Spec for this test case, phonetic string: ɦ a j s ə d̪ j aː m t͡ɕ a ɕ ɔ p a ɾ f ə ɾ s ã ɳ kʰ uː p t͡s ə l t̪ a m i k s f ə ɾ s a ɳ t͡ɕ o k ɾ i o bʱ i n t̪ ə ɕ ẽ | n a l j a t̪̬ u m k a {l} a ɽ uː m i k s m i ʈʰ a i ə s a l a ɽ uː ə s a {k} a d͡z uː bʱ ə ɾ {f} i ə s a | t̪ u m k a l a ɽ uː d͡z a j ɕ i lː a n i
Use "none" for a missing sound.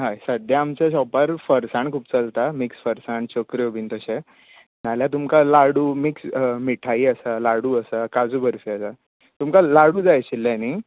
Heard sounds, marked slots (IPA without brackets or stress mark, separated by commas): l, k, f